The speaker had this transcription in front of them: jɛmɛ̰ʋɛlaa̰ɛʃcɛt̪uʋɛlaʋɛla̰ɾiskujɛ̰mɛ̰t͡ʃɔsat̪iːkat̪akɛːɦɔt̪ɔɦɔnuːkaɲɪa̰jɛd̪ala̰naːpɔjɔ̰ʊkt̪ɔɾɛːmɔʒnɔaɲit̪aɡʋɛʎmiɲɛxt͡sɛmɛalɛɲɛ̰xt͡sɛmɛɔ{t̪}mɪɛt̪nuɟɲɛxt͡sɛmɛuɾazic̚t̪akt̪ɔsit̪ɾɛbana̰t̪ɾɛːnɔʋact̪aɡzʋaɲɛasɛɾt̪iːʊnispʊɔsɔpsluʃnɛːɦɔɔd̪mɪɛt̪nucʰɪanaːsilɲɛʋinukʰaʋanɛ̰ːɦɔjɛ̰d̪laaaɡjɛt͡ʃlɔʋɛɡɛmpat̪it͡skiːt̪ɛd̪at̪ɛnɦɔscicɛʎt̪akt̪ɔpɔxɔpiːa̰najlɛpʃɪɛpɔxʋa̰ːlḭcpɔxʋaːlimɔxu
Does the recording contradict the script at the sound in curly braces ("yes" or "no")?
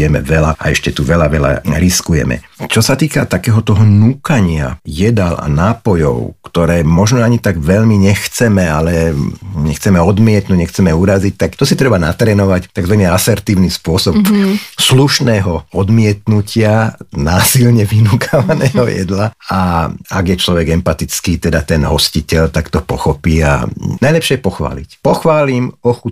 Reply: yes